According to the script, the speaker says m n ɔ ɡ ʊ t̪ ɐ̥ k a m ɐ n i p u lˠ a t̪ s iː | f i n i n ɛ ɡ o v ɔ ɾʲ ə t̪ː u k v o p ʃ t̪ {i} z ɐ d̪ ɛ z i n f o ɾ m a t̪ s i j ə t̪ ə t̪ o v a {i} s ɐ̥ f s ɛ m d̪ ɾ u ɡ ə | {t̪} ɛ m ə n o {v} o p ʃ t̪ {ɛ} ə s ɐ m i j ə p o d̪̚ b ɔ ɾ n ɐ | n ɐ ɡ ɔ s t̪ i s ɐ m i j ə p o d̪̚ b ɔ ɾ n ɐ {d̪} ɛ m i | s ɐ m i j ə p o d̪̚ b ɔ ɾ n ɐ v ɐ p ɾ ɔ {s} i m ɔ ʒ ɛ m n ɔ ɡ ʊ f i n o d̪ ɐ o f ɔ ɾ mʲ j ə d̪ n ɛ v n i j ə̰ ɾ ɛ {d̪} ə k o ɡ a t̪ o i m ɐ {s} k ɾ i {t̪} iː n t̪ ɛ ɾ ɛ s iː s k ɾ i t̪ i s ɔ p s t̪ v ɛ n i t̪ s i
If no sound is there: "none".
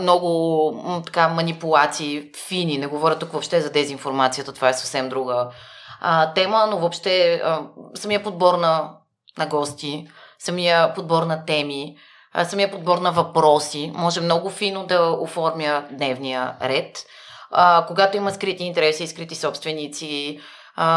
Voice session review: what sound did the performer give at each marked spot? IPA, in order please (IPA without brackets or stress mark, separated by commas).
ɛ, ɛ, t̪, v, ɛ, t̪, s, t̪, s, t̪